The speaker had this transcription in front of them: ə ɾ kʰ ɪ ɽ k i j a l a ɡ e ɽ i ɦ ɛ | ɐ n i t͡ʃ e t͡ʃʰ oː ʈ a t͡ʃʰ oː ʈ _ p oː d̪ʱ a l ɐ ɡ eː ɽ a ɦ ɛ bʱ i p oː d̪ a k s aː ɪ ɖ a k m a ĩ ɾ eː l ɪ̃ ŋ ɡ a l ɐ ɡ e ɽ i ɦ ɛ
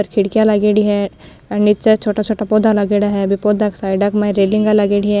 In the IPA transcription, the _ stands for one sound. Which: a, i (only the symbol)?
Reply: a